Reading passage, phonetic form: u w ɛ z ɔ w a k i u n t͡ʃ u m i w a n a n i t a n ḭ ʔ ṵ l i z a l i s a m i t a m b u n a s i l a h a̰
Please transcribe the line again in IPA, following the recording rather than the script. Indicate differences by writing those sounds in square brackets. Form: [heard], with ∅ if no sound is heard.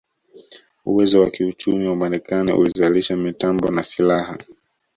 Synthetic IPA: u w ɛ z ɔ w a k i u [∅] t͡ʃ u m i w a [m] a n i [k] a n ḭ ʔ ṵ l i z a l i [ʃ] a m i t a m b [ɔ] n a s i l a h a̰